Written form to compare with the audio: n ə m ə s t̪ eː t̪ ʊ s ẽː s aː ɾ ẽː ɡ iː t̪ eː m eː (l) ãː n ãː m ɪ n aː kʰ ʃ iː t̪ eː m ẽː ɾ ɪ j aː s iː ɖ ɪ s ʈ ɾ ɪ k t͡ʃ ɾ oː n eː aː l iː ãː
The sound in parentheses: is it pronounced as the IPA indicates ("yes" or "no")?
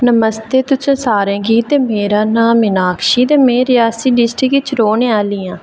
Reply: no